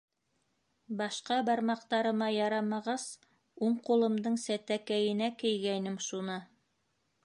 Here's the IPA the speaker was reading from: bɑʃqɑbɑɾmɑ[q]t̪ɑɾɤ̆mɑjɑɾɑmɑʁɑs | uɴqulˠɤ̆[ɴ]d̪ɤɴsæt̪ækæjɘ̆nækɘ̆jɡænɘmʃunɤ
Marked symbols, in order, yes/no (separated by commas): yes, no